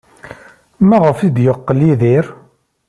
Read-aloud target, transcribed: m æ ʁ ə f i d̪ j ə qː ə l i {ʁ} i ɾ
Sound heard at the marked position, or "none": ð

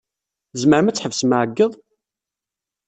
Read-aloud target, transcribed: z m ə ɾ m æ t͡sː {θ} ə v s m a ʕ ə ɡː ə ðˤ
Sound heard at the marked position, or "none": ħ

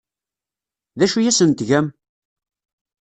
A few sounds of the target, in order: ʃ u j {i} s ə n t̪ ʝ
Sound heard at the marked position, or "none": æ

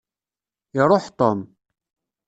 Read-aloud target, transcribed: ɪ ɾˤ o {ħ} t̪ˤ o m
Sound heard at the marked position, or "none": ħ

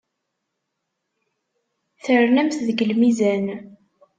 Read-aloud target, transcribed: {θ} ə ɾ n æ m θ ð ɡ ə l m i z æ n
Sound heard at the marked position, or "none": θ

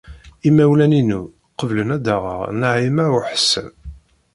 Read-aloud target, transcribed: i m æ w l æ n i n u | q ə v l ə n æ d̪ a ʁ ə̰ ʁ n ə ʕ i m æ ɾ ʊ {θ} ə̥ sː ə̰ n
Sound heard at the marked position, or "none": ħ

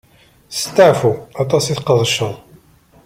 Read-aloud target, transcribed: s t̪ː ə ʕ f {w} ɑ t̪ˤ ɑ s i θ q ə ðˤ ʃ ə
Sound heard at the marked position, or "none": u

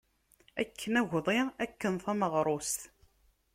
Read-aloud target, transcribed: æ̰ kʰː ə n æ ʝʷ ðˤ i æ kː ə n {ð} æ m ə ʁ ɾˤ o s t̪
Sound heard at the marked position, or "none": θ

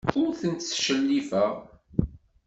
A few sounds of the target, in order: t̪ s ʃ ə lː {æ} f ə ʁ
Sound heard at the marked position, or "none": i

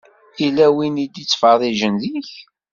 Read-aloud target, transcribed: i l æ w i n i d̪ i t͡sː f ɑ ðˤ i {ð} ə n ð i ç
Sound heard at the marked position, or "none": ʒ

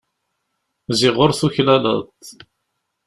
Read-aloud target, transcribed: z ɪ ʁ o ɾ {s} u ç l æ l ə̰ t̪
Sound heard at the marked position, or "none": θ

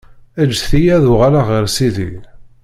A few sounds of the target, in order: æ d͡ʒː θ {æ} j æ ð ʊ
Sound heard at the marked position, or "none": i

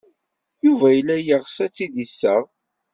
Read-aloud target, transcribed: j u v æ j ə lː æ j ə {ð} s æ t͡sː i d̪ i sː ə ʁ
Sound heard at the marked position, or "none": ʁ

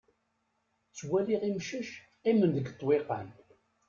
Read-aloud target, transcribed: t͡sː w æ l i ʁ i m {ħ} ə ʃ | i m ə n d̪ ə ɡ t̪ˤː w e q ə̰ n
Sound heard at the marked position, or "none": ʃ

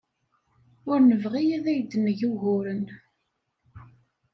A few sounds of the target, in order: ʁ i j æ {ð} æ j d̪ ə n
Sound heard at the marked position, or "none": ð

